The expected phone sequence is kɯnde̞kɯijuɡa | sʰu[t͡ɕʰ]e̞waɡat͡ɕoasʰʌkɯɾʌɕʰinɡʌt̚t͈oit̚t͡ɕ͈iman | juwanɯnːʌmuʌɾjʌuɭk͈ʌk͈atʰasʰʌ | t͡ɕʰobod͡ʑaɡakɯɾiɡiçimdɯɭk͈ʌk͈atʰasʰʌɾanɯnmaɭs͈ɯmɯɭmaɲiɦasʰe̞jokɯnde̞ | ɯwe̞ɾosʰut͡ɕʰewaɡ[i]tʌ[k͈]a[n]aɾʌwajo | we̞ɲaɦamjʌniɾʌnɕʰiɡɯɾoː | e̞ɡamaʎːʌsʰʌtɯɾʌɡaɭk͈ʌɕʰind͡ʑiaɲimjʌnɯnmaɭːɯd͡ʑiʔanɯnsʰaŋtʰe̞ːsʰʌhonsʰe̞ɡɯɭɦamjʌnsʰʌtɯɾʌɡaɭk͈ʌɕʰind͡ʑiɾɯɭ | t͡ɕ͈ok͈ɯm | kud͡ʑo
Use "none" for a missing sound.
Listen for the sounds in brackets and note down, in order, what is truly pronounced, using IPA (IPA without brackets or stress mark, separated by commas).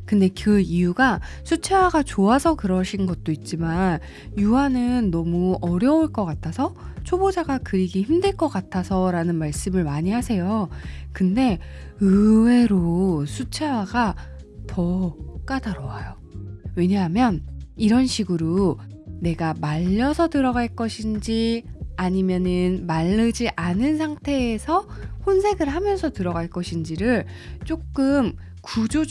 t͡ɕʰ, a, k͈, d